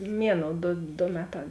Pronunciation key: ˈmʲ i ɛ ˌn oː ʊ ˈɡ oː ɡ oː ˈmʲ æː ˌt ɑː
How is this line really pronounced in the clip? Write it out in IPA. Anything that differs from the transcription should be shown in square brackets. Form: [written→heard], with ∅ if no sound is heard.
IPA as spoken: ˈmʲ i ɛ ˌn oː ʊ [ˈɡ→ˈd] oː [ɡ→d] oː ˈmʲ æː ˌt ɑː